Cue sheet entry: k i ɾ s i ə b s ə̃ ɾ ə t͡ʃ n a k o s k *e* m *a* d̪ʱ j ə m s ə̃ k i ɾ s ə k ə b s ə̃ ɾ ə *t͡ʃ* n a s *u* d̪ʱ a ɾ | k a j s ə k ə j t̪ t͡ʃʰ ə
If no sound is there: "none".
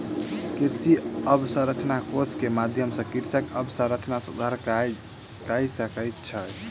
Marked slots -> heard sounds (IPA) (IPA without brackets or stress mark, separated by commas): e, a, t͡ʃ, u